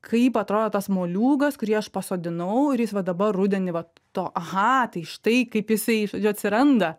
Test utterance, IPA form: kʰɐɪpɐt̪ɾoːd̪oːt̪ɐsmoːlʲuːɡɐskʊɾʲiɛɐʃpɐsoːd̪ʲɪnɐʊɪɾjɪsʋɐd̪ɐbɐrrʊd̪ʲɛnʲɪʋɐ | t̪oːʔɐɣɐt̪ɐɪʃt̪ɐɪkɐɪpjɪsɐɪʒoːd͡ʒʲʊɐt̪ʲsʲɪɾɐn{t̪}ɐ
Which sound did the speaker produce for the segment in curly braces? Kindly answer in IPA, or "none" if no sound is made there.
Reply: d̪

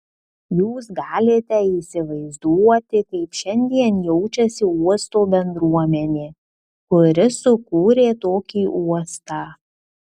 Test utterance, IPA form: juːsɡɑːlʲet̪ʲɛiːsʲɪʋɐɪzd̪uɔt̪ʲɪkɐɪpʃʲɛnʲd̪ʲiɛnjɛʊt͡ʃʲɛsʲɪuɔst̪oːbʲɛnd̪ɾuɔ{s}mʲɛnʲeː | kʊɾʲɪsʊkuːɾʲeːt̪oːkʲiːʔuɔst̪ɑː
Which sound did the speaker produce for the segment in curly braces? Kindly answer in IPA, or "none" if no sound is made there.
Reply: none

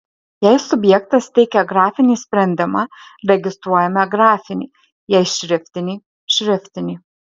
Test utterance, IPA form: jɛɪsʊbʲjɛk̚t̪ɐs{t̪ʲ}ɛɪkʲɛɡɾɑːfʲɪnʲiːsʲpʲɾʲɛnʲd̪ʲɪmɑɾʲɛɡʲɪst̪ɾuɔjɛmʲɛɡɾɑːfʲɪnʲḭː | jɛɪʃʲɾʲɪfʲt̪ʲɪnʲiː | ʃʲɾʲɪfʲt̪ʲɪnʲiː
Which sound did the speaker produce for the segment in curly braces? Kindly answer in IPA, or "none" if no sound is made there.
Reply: t̪ʲ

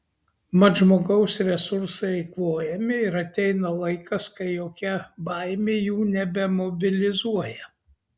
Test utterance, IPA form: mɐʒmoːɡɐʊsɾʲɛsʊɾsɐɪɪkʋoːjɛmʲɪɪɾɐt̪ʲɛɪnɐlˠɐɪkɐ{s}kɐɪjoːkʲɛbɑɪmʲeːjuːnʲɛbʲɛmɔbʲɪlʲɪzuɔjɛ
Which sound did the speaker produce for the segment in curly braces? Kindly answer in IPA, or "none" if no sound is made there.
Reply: s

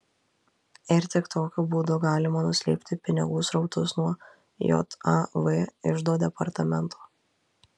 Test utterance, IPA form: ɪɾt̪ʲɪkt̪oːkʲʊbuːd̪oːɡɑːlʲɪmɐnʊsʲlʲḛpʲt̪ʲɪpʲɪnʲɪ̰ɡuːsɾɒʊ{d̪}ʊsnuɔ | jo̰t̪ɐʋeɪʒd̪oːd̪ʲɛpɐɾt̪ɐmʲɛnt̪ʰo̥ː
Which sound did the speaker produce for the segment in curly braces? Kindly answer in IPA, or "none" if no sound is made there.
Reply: t̪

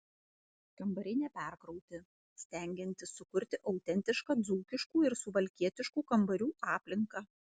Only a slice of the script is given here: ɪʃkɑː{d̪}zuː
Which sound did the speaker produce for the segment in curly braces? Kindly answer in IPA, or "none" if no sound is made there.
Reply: d̪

